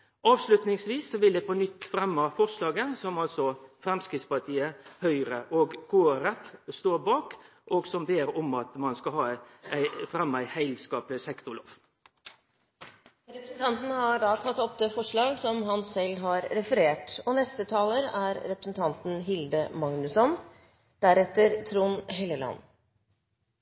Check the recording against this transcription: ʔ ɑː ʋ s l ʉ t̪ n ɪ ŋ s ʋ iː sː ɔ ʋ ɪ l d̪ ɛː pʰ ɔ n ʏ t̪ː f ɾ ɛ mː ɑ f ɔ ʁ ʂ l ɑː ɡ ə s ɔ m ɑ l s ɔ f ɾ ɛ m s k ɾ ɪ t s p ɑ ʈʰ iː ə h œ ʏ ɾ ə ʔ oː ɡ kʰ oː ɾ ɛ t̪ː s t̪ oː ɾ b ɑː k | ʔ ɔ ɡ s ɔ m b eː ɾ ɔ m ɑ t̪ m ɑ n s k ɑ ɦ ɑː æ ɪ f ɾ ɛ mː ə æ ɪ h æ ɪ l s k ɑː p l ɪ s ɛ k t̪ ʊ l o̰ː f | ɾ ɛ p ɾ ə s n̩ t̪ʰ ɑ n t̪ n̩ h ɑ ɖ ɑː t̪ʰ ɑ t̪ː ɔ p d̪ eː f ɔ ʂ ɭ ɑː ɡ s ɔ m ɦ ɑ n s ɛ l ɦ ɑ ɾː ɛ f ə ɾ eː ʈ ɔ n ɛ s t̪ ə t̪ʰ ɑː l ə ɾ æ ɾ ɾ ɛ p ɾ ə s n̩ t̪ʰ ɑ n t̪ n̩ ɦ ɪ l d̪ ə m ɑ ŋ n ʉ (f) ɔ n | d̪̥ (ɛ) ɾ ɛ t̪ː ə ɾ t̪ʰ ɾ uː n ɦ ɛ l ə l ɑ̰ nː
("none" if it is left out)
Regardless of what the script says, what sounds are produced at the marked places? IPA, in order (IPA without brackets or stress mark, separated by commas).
s, æ